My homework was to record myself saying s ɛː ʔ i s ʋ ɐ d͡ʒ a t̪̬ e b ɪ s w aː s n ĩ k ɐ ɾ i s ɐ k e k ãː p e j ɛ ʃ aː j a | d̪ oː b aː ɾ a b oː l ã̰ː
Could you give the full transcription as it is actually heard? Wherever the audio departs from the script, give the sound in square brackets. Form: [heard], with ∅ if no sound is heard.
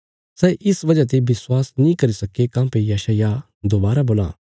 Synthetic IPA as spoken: s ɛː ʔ [ɪ] s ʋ ɐ d͡ʒ a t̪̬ e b ɪ s w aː s n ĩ k ɐ ɾ i s ɐ k e k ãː p e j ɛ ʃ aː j a | d̪ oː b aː ɾ a b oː l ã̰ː